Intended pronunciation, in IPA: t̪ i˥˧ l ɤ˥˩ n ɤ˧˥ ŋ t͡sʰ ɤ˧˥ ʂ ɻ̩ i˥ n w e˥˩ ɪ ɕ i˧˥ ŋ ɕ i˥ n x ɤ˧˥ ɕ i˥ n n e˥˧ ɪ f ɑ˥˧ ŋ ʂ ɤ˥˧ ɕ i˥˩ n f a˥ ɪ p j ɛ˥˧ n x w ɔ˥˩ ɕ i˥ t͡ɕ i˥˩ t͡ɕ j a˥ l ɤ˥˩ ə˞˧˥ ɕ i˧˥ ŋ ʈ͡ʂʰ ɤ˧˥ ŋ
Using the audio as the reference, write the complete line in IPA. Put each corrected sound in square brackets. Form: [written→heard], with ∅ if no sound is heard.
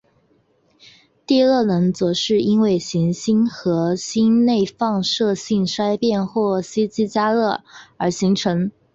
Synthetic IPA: t̪ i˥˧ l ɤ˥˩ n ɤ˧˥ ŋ [t͡sʰ→t͡s] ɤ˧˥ ʂ ɻ̩ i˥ n w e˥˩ ɪ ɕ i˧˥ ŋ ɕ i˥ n x ɤ˧˥ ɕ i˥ n n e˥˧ ɪ f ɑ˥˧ ŋ ʂ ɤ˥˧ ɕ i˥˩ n [f→ʂ] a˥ ɪ p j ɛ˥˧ n x w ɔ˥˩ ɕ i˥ t͡ɕ [i˥˩→i˥] t͡ɕ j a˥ l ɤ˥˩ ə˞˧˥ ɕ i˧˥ ŋ ʈ͡ʂʰ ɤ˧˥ ŋ